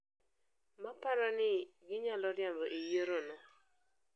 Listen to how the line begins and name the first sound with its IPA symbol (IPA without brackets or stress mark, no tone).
m